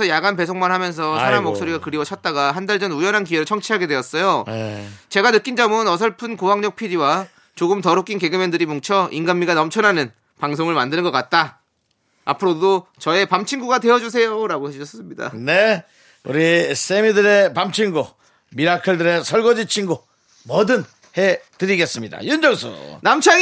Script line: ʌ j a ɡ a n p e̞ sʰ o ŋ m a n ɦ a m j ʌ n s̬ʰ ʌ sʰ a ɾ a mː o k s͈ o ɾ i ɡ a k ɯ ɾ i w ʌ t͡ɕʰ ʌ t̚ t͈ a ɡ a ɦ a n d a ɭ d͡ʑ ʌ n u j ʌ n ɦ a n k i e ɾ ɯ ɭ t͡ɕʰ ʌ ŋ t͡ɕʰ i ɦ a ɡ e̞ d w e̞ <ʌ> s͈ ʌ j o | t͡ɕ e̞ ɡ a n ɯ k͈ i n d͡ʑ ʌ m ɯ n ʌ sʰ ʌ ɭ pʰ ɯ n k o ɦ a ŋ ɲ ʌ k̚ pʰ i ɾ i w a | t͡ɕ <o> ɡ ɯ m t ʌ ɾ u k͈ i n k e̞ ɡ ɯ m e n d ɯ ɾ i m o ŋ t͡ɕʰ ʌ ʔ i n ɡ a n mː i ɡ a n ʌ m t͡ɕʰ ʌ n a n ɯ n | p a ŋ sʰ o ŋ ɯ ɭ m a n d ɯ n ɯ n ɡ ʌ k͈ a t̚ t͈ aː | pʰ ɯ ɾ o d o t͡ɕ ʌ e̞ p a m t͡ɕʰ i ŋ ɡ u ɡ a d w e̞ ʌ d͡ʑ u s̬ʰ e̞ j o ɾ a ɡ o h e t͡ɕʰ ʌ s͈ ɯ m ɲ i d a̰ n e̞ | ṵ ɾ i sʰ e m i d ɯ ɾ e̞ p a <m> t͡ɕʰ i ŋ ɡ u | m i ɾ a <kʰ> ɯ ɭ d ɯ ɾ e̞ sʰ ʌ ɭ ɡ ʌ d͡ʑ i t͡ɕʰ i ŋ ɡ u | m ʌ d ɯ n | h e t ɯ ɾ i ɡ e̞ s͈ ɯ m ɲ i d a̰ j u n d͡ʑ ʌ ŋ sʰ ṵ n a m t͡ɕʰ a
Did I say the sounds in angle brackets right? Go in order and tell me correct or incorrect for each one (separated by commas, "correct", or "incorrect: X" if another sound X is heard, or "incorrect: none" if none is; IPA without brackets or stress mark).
correct, correct, correct, correct